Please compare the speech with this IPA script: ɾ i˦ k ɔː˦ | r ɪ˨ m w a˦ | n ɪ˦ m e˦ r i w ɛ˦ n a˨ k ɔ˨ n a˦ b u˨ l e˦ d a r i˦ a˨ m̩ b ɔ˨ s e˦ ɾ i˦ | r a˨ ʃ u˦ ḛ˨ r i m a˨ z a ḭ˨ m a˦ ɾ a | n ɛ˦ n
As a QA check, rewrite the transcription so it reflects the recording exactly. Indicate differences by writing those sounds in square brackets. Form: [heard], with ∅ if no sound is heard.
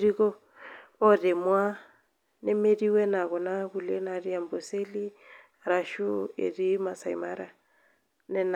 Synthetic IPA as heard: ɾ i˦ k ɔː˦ | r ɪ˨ m w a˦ | n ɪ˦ m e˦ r i w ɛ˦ n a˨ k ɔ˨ n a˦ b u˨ l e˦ [n] a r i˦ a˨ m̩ b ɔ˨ s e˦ [l] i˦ | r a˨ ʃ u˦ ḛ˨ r i m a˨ [s] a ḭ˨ m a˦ ɾ a | n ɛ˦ n